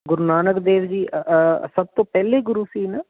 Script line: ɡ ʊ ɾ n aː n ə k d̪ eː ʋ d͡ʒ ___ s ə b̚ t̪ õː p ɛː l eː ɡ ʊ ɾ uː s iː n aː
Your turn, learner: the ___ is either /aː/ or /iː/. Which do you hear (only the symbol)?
iː